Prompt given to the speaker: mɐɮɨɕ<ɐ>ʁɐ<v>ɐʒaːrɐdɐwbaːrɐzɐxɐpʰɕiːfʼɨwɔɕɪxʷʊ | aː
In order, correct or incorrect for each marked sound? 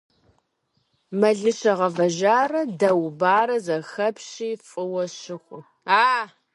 correct, correct

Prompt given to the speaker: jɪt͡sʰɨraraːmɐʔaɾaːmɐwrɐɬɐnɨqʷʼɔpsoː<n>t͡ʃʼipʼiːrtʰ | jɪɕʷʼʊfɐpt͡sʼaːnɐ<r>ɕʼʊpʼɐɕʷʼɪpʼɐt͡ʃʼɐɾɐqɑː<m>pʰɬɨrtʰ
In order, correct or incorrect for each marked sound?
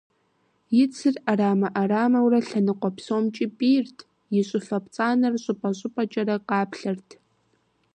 incorrect, correct, incorrect

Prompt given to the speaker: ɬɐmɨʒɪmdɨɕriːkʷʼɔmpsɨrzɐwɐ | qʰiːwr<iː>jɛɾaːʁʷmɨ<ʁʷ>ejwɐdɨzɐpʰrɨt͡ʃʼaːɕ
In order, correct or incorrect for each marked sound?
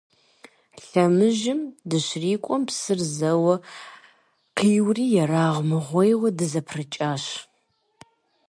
correct, correct

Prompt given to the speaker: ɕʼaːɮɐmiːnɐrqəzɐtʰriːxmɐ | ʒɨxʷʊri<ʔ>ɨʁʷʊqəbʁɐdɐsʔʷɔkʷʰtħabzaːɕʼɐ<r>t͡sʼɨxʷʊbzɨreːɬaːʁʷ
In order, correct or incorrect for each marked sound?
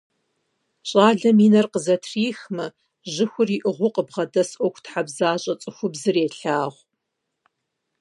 correct, incorrect

